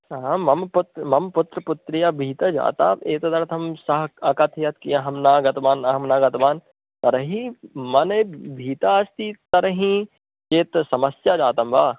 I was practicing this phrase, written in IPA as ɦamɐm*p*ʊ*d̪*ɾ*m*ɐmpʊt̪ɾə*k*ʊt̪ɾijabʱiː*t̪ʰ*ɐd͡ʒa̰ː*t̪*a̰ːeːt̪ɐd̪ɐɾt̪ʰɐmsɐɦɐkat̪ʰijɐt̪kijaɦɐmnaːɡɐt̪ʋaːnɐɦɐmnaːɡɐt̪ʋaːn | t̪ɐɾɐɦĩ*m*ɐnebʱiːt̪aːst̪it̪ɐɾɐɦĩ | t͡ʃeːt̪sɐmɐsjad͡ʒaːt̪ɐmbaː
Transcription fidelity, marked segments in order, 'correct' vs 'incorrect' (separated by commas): correct, incorrect, correct, incorrect, incorrect, correct, correct